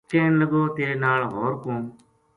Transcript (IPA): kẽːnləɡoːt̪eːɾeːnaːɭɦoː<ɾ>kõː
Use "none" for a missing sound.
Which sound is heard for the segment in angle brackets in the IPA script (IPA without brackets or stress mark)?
ɾ